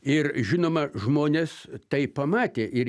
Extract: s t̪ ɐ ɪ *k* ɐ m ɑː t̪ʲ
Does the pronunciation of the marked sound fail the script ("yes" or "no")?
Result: yes